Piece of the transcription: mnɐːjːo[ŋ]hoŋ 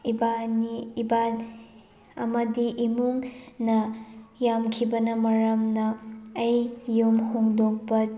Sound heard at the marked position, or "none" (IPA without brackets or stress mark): m